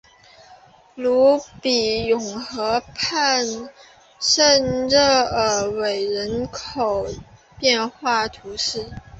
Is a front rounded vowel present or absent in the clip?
absent